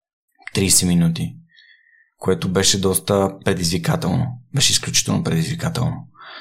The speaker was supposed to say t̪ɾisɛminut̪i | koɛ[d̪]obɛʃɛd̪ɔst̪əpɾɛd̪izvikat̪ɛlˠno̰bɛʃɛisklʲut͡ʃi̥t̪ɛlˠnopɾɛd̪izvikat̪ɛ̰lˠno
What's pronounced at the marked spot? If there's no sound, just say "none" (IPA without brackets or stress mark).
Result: t̪